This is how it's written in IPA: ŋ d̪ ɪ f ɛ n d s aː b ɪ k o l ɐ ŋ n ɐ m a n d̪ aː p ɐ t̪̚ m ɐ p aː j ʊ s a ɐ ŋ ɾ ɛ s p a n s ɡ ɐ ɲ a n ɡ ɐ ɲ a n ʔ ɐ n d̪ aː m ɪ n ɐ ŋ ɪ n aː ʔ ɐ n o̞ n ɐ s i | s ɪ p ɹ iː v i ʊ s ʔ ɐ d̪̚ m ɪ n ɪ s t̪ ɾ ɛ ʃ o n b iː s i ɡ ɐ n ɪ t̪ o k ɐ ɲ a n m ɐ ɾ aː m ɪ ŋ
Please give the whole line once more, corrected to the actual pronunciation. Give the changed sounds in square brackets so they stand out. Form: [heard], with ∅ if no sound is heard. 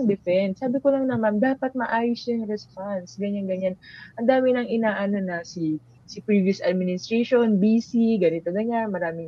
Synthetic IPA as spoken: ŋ d̪ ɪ f ɛ n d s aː b ɪ k o l ɐ ŋ n ɐ m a n d̪ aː p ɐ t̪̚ m ɐ [ʔ] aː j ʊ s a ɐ ŋ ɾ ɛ s p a n s ɡ ɐ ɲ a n ɡ ɐ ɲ a n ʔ ɐ n d̪ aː m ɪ n ɐ ŋ ɪ n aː ʔ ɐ n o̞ n ɐ s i | s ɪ p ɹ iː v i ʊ s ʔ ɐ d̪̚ m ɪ n ɪ s t̪ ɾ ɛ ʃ o n b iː s i ɡ ɐ n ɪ t̪ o [ɡ] ɐ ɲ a n m ɐ ɾ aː m ɪ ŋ